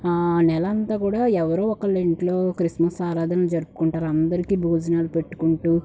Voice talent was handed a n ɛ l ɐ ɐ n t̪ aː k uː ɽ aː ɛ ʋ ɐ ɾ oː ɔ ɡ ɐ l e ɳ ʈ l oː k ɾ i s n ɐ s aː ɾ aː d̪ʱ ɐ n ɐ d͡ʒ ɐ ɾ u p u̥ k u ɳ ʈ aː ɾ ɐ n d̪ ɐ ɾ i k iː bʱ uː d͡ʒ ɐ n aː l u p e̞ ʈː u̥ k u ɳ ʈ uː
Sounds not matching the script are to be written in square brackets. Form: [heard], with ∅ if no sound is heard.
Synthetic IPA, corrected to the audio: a n ɛ l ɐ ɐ n t̪ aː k uː ɽ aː ɛ ʋ ɐ ɾ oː ɔ [k] ɐ l e ɳ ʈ l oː k ɾ i s [m] ɐ s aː ɾ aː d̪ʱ ɐ n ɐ d͡ʒ ɐ ɾ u p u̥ k u ɳ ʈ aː ɾ ɐ n d̪ ɐ ɾ i k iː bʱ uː d͡ʒ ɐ n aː l u p e̞ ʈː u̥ k u ɳ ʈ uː

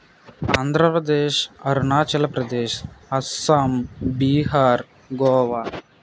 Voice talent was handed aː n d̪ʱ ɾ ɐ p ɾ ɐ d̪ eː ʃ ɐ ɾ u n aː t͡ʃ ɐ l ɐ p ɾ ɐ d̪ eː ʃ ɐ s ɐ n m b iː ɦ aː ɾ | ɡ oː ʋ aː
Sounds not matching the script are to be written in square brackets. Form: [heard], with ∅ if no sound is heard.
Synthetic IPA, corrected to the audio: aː n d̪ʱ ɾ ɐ p ɾ ɐ d̪ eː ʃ ɐ ɾ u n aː t͡ʃ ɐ l ɐ p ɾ ɐ d̪ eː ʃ ɐ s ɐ [∅] m b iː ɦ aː ɾ | ɡ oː ʋ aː

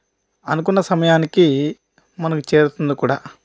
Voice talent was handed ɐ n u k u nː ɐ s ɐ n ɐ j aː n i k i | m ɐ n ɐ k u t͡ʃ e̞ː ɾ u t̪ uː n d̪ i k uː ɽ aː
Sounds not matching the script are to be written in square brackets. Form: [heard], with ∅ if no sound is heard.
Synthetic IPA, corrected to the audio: ɐ n u k u nː ɐ s ɐ [m] ɐ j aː n i k i | m ɐ n ɐ k u t͡ʃ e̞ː ɾ u t̪ [u] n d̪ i k uː ɽ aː

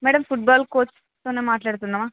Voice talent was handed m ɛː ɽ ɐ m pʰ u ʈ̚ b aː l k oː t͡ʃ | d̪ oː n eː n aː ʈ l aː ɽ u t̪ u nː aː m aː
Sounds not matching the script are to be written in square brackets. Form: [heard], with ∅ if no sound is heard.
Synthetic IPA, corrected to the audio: m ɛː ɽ ɐ m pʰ u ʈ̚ b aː l k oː t͡ʃ | [t̪] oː n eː [m] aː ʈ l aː ɽ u t̪ u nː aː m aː

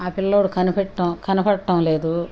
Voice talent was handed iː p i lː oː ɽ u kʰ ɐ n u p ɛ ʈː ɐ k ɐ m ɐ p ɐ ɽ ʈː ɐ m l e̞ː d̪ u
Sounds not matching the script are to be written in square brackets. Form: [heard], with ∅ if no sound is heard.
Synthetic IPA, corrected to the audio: [aː] p i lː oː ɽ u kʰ ɐ n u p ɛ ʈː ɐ k ɐ [n] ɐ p ɐ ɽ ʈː ɐ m l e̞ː d̪ u

